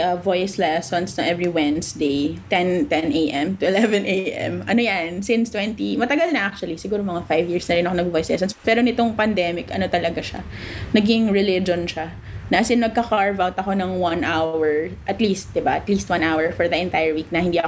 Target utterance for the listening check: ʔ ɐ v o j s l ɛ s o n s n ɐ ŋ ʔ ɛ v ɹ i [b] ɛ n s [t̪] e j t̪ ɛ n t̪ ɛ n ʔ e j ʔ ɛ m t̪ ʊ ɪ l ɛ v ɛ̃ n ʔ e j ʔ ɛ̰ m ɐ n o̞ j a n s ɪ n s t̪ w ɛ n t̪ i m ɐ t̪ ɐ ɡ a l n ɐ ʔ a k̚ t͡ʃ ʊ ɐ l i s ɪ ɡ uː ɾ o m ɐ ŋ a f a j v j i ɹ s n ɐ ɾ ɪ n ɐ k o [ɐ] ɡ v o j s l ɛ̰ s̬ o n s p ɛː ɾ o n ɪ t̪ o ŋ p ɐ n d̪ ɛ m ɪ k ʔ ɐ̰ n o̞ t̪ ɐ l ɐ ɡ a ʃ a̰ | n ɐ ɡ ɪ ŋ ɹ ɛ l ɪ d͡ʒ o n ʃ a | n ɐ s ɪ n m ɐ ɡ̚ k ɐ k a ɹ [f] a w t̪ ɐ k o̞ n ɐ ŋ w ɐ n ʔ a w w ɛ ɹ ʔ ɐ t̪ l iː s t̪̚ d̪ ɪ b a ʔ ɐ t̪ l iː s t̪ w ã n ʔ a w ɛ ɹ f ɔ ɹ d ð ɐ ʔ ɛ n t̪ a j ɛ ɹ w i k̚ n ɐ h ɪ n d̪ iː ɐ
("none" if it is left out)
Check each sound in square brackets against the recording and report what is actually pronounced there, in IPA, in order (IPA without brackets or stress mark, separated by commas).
w, d̪, ɐ, v